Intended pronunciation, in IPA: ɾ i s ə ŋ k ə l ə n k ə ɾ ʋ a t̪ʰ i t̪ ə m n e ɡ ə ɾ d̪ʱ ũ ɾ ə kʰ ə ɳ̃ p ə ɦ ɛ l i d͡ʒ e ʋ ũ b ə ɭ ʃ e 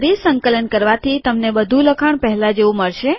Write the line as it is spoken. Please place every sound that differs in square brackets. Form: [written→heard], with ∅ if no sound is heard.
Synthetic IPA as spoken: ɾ i s ə ŋ k ə l ə n k ə ɾ ʋ a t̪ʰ i t̪ ə m n e [ɡ→b] ə [ɾ→∅] d̪ʱ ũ [ɾ→l] ə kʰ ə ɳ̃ p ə ɦ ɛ l [i→a] d͡ʒ e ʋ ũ [b→m] ə ɭ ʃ e